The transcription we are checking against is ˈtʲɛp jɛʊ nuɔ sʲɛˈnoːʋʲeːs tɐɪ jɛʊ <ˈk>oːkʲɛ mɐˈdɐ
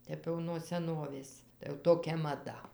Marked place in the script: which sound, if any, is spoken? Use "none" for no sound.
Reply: t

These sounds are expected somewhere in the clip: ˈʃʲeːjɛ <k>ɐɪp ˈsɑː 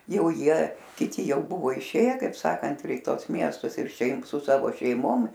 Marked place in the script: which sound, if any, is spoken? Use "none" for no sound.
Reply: k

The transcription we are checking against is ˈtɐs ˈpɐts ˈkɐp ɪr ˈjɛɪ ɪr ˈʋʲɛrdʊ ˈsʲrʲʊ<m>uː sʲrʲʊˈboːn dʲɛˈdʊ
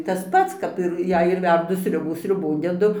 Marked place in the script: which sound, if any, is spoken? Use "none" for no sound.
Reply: b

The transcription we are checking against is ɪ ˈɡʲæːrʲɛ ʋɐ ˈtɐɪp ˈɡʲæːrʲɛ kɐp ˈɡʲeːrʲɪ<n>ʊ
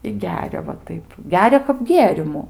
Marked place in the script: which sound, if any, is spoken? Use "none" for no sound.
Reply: m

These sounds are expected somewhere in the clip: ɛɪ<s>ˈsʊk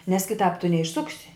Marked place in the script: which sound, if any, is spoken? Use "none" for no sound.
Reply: ʃ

